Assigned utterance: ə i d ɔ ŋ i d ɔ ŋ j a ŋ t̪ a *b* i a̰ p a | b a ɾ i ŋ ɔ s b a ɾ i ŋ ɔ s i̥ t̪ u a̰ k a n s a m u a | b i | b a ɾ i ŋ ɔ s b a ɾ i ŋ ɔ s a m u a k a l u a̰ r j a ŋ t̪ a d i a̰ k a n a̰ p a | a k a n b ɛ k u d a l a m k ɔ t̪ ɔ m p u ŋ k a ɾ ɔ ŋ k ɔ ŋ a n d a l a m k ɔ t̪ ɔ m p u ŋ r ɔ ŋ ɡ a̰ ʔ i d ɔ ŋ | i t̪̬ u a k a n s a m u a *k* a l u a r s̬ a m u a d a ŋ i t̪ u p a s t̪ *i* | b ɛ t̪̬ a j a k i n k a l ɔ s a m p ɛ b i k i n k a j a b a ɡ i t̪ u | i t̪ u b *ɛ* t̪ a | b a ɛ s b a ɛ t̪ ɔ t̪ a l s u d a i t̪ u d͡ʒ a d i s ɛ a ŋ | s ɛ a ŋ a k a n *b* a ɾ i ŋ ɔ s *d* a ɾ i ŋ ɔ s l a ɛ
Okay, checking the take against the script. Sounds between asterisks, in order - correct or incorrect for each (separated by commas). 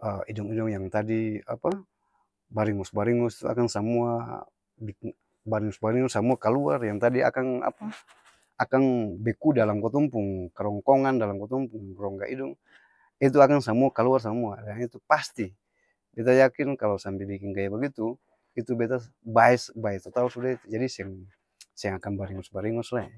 incorrect, correct, correct, correct, correct, incorrect